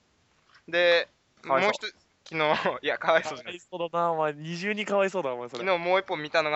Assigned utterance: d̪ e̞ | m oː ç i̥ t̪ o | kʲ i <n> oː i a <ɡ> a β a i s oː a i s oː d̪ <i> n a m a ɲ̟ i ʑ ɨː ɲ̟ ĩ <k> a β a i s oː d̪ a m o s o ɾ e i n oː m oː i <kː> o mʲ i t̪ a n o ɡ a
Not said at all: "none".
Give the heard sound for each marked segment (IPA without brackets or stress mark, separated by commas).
n, k, a, k, pː